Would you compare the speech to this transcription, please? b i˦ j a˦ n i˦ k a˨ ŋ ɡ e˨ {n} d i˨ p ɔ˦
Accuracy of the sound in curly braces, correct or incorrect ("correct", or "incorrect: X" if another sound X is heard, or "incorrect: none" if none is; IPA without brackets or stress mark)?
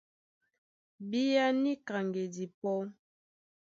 incorrect: none